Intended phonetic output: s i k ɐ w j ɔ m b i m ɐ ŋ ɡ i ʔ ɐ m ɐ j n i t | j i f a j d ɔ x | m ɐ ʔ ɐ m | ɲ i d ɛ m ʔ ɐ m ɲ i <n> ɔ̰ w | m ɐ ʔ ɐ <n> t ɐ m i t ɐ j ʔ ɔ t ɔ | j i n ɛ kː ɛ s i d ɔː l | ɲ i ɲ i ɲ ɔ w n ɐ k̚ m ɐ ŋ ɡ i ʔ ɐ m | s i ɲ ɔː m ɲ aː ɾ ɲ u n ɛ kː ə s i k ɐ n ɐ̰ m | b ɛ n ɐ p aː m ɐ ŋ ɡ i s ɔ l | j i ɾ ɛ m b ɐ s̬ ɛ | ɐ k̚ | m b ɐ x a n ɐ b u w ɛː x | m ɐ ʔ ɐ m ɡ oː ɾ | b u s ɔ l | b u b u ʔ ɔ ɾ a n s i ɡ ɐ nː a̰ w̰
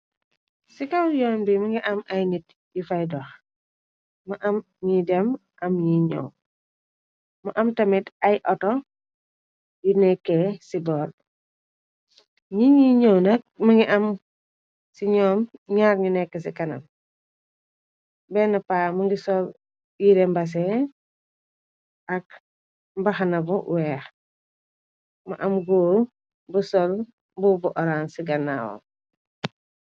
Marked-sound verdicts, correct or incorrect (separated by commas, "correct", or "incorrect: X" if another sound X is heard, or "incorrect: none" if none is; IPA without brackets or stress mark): incorrect: ɲ, incorrect: m